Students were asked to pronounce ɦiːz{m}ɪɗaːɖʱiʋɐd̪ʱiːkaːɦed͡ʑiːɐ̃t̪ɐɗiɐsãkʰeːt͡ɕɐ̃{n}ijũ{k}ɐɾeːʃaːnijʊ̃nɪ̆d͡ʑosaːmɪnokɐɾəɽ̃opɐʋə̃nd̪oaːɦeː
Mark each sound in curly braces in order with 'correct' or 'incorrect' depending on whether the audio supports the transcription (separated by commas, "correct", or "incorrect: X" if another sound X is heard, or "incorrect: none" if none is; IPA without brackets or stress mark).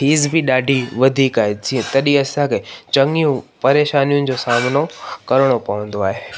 incorrect: b, incorrect: ŋ, incorrect: p